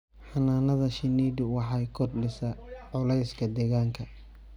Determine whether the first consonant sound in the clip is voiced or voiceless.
voiceless